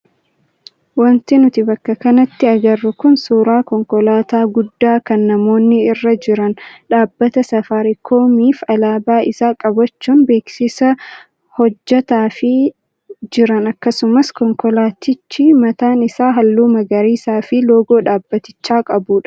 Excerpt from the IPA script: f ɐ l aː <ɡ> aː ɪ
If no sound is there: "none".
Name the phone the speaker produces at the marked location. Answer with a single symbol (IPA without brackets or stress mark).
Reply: b